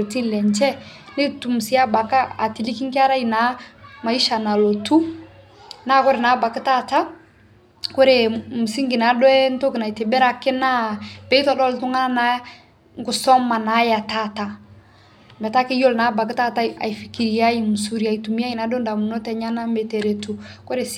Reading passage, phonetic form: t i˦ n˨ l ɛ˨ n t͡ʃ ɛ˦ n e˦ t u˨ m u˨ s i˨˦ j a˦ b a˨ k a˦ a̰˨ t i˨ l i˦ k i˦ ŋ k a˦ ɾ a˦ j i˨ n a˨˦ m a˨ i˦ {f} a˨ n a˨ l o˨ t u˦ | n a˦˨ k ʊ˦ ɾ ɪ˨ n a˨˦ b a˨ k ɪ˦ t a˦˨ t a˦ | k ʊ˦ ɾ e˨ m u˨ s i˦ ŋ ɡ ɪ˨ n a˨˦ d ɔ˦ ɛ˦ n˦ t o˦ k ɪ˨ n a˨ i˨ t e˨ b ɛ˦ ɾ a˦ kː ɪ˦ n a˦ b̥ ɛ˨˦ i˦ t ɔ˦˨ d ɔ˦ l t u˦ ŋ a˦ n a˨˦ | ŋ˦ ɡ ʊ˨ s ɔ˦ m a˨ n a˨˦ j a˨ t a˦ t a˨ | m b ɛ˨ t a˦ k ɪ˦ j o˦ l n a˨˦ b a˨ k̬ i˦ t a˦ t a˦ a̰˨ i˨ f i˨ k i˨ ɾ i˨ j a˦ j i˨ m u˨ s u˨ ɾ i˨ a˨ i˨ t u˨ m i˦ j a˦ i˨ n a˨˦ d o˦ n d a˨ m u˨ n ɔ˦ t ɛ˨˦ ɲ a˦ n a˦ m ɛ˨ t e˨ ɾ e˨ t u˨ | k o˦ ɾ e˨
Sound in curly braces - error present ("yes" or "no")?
yes